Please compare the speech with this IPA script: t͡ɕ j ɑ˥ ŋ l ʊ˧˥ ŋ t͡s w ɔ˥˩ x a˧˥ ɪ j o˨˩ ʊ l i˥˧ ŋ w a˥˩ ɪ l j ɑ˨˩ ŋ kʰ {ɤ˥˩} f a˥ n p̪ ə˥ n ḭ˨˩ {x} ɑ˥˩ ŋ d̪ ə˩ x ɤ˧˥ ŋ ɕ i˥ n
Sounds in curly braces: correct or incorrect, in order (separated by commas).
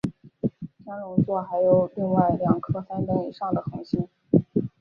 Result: incorrect, incorrect